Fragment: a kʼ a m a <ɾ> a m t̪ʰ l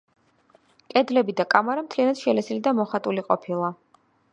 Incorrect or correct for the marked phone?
correct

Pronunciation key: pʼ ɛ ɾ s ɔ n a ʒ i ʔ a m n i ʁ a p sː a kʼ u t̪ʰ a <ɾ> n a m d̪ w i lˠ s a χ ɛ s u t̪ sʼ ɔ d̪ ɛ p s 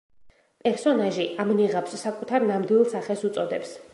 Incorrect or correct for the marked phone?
correct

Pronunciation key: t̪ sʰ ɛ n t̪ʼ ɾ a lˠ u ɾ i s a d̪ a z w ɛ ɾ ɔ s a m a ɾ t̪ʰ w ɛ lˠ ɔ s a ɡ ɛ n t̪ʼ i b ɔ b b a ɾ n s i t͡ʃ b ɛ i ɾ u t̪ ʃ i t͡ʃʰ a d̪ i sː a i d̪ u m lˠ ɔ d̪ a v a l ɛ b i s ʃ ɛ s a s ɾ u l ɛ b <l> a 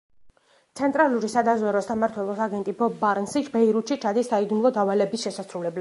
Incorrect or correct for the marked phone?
correct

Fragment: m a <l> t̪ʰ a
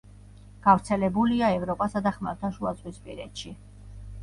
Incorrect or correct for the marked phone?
incorrect: ɾ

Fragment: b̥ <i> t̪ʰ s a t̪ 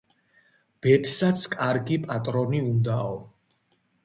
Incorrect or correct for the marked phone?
incorrect: ɛ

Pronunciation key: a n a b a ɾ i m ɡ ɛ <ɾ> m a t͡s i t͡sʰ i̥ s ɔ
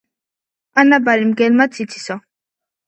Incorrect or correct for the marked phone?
incorrect: l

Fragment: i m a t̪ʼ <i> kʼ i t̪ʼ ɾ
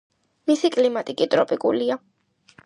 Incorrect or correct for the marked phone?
correct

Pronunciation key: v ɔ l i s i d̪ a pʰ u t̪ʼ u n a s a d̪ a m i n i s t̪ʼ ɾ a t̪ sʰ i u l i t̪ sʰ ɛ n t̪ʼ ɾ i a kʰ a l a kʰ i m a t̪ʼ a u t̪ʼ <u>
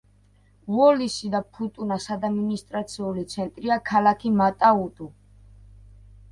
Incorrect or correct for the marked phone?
correct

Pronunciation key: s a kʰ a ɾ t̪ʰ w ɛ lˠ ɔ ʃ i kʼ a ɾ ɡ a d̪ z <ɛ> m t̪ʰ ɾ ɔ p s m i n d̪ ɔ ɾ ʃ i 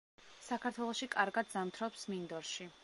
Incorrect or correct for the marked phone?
incorrect: a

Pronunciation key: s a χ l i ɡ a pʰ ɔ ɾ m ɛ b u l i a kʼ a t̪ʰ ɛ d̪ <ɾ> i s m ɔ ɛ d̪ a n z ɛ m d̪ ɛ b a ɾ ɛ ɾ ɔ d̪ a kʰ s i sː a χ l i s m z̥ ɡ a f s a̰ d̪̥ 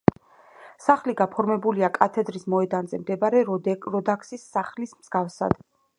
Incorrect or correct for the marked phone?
correct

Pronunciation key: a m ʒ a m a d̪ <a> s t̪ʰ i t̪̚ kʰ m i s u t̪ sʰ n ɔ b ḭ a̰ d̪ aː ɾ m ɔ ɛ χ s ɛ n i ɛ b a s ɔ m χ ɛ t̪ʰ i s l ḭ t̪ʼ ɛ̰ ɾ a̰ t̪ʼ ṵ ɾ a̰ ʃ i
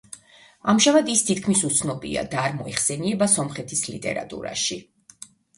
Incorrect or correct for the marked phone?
incorrect: i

